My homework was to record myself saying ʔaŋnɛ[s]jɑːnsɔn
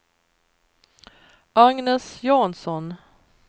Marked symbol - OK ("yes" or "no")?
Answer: yes